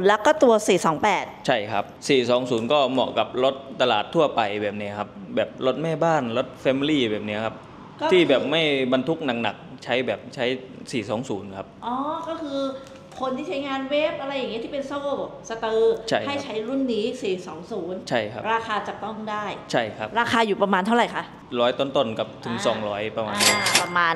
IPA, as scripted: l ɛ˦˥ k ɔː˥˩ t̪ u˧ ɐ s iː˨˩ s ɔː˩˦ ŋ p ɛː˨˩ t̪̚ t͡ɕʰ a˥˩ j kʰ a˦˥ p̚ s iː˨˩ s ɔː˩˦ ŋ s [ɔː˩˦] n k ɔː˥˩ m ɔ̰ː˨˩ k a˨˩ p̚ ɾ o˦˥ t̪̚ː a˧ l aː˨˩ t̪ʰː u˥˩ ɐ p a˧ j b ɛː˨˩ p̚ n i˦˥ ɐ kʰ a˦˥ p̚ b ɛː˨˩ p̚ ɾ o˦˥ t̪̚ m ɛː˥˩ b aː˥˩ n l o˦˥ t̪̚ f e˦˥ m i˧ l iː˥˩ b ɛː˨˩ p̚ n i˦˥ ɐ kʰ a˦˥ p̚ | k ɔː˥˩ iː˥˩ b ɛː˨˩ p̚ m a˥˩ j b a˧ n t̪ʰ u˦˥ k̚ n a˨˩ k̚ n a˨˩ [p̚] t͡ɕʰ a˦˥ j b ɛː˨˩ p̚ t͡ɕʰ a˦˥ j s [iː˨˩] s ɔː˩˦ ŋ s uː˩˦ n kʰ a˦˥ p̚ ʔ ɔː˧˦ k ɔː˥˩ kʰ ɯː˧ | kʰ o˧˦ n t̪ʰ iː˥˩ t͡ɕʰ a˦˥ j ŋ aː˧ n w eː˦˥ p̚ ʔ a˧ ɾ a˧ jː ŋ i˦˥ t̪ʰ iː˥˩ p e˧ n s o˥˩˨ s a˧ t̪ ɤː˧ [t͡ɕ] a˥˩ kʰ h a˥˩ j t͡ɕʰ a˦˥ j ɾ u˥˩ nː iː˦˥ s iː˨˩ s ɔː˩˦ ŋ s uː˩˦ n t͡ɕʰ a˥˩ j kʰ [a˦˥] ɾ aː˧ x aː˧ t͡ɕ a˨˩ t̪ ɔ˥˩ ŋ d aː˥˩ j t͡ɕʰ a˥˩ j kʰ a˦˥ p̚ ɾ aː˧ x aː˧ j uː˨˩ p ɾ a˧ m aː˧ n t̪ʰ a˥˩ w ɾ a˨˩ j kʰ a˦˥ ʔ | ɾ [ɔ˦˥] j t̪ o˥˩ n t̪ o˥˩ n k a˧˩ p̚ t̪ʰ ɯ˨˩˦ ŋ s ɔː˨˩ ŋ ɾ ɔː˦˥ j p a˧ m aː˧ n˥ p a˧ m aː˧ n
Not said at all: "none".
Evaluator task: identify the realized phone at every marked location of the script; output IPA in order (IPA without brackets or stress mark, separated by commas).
uː˩˦, k̚, iː˨˩, t͡ɕʰ, a˦˥, ɔː˦˥